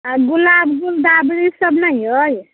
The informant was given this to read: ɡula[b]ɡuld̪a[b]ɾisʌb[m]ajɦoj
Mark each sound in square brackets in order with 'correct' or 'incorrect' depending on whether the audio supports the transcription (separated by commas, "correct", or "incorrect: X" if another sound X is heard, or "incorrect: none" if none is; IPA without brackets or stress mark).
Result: correct, correct, incorrect: n